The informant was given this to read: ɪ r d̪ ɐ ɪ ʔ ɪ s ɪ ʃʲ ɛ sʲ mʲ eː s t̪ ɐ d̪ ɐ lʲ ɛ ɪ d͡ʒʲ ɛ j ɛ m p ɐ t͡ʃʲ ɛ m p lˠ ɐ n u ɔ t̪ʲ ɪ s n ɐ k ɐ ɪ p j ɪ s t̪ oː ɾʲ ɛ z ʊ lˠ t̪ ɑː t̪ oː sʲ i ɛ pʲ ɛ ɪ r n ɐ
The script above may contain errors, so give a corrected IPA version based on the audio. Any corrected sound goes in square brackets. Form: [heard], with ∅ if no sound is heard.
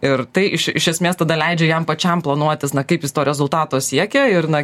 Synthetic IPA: ɪ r [t̪] ɐ ɪ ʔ ɪ [ʃ] ɪ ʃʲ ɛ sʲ mʲ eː s t̪ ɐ d̪ ɐ lʲ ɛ ɪ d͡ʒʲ ɛ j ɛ m p ɐ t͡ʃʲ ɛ m p lˠ ɐ n u ɔ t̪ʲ ɪ s n ɐ k ɐ ɪ p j ɪ s t̪ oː ɾʲ ɛ z ʊ lˠ t̪ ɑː t̪ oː sʲ i ɛ [kʲ] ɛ ɪ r n ɐ

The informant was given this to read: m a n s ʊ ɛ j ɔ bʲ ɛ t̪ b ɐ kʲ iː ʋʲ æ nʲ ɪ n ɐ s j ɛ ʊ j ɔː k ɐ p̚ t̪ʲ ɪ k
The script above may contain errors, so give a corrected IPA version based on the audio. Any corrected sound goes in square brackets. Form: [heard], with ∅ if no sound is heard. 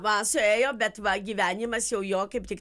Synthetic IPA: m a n s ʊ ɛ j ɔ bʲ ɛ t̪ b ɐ [ɡʲ] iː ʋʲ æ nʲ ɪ [m] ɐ s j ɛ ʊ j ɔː k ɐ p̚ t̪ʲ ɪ k

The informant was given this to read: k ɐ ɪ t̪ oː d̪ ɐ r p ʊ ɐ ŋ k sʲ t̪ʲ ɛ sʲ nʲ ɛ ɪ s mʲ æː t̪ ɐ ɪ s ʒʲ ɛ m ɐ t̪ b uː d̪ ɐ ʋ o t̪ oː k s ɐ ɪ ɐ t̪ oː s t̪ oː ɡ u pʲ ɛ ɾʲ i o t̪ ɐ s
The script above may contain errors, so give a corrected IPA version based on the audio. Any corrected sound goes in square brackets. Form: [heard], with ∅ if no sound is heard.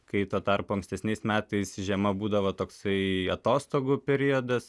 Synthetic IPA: k ɐ ɪ t̪ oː [t̪] ɐ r p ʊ ɐ ŋ k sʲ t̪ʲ ɛ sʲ nʲ ɛ ɪ s mʲ æː t̪ ɐ ɪ s ʒʲ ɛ m ɐ [∅] b uː d̪ ɐ ʋ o t̪ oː k s ɐ ɪ ɐ t̪ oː s t̪ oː ɡ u pʲ ɛ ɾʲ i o [d̪] ɐ s

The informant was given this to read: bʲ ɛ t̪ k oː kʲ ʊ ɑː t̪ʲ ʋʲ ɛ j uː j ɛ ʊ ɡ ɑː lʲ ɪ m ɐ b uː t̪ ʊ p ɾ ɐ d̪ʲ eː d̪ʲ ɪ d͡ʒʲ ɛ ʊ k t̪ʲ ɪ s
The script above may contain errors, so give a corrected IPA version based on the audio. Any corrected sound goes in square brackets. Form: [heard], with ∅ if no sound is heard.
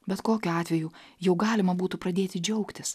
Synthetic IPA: bʲ ɛ t̪ k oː kʲ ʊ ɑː t̪ʲ ʋʲ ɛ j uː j ɛ ʊ ɡ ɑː lʲ ɪ m ɐ b uː t̪ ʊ p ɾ ɐ d̪ʲ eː [t̪ʲ] ɪ d͡ʒʲ ɛ ʊ k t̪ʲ ɪ s

